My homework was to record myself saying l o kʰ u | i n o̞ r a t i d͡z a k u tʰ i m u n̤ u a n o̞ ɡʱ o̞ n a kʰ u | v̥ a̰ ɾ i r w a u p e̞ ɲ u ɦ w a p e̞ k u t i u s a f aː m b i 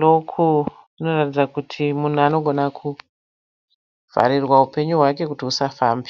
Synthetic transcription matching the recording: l o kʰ u | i n o̞ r a t i d͡z a k u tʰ i m u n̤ u a n o̞ ɡʱ o̞ n a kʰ u | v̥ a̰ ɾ i r w a u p e̞ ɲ u ɦ w a k e̞ k u t i u s a f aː m b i